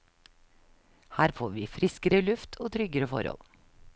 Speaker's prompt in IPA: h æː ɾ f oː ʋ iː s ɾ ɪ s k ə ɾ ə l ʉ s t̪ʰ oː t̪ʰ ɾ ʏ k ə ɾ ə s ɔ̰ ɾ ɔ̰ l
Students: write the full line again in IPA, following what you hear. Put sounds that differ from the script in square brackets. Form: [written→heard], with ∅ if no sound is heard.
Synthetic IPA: h æː ɾ f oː ʋ iː [s→f] ɾ ɪ s k ə ɾ ə l ʉ [s→f] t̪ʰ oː t̪ʰ ɾ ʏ [k→ɡ] ə ɾ ə [s→f] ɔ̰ ɾ ɔ̰ l